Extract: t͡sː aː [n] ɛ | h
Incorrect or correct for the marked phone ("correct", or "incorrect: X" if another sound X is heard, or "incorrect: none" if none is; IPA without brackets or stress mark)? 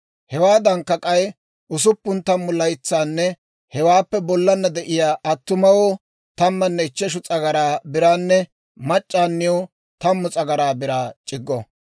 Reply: incorrect: nː